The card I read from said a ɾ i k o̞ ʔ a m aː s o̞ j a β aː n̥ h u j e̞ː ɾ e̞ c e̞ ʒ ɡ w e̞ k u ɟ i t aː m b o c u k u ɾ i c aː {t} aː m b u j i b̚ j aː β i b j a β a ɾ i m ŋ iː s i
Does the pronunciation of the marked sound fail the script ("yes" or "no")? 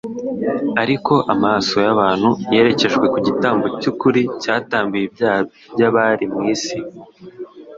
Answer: no